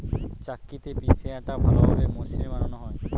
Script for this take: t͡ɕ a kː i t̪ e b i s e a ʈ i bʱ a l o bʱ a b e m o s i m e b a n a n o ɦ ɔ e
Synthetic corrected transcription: t͡ɕ a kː i t̪ e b i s e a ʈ a bʱ a l o bʱ a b e m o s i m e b a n a n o ɦ ɔ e